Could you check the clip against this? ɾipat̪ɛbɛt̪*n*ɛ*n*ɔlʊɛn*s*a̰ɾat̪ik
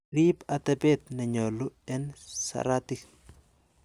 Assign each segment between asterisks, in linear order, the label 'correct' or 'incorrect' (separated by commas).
correct, incorrect, correct